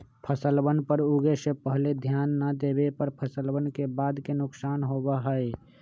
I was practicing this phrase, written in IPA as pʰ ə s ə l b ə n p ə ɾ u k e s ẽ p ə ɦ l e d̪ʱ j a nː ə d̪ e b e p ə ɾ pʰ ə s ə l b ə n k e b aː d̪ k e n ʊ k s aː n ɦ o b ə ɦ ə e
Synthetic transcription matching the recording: pʰ ə s ə l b ə n p ə ɾ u ɡ e s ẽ p ə ɦ l e d̪ʱ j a nː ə d̪ e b e p ə ɾ pʰ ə s ə l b ə n k e b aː d̪ k e n ʊ k s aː n ɦ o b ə ɦ ə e